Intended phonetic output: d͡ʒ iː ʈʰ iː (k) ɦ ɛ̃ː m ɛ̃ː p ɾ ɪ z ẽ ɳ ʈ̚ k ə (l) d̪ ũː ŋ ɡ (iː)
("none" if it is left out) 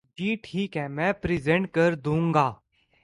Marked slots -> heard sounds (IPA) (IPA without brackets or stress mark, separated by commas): k, ɾ, aː